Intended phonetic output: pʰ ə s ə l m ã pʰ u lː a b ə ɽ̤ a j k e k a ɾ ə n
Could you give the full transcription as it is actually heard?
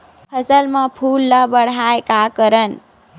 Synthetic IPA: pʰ ə s ə l m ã pʰ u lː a b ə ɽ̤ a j k a k ə ɾ ə n

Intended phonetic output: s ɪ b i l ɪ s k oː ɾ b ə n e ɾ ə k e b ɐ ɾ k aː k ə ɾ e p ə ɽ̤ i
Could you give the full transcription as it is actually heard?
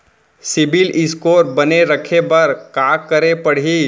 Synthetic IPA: s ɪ b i l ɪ s k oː ɾ b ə n e ɾ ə kʰ e b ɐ ɾ k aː k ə ɾ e p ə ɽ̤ i

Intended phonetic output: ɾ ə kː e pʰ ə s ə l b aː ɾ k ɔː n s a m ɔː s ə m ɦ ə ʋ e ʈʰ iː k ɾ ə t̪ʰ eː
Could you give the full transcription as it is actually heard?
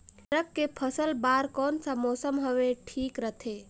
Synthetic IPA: ɾ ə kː e pʰ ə s ə l b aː ɾ k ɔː n s a m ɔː s ə m ɦ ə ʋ e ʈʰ iː k ɾ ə t̪ʰ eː

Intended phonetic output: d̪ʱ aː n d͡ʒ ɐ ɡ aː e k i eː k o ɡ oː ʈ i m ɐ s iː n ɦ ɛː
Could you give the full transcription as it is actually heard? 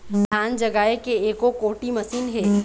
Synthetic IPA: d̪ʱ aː n d͡ʒ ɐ ɡ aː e k e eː k o k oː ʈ i m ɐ s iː n ɦ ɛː

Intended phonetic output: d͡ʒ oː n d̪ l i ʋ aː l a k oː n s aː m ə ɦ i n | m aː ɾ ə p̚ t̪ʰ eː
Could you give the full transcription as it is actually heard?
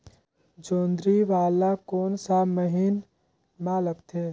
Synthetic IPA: d͡ʒ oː n d̪ ɾ i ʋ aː l a k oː n s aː m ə ɦ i n | m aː l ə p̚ t̪ʰ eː

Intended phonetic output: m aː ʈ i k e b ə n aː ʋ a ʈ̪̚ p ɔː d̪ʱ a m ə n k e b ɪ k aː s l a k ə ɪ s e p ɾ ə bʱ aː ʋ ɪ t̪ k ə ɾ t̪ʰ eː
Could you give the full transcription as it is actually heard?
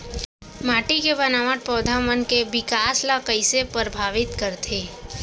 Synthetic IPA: m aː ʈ i k e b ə n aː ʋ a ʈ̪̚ p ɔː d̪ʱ a m ə n k e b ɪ k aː s l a k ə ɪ s e p ɾ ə bʱ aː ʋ ɪ t̪ k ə ɾ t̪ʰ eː

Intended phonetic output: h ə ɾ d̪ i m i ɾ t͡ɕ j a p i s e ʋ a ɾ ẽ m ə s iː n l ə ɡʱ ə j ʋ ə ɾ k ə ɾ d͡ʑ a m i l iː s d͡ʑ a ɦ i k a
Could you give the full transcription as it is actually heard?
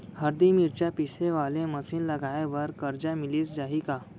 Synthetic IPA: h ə ɾ d̪ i m i ɾ t͡ɕ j a p i s e ʋ a l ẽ m ə s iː n l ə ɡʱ a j ʋ ə ɾ k ə ɾ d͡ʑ a m i l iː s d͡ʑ a ɦ i k a

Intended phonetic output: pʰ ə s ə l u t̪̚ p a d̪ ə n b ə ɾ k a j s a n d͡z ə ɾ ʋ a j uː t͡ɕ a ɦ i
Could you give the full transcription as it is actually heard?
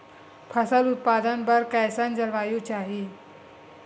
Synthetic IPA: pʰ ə s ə l u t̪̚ p a d̪ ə n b ə ɾ k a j s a n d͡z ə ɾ ʋ a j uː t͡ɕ a ɦ i

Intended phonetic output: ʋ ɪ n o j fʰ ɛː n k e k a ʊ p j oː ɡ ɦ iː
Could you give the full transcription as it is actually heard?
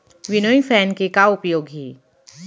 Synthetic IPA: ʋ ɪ n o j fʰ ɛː n k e k a ʊ p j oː ɡ ɦ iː

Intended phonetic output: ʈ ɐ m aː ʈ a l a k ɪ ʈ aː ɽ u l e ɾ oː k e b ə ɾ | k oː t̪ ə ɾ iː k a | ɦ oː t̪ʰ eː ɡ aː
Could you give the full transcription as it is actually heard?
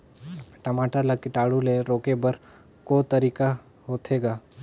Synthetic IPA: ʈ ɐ m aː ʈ a l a k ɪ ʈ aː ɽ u l e ɾ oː k e b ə ɾ | k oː t̪ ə ɾ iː k a | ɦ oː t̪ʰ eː ɡ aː

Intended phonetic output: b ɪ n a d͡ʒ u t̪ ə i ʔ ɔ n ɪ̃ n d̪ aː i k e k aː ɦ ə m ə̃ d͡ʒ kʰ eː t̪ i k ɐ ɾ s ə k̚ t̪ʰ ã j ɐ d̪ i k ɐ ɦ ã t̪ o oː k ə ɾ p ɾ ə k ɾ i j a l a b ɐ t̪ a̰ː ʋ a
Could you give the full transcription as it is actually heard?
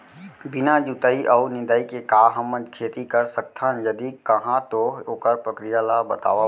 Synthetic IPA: b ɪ n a d͡ʒ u t̪ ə i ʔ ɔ n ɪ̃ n d̪ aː i k e k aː ɦ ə m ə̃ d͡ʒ kʰ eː t̪ i k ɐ ɾ s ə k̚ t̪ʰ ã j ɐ d̪ i k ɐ ɦ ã t̪ o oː k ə ɾ p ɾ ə k ɾ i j a l a b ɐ t̪ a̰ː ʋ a

